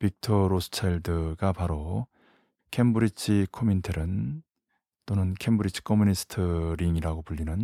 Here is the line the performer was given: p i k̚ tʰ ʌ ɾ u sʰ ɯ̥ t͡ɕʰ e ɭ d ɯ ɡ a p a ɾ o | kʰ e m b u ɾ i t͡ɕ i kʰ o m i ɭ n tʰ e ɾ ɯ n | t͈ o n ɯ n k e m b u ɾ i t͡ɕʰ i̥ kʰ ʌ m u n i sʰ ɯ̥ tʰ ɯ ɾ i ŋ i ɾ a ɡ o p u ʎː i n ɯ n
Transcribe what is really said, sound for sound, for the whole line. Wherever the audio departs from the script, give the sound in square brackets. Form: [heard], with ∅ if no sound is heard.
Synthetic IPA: p i k̚ tʰ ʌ ɾ [o] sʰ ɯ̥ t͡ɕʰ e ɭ d ɯ ɡ a p a ɾ o | kʰ e m b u ɾ i [t͡ɕʰ] i kʰ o m i [∅] n tʰ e ɾ ɯ n | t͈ o n ɯ n [kʰ] e m b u ɾ i t͡ɕʰ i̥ kʰ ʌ m u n i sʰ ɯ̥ tʰ ɯ ɾ i ŋ i ɾ a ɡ o p u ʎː i n ɯ n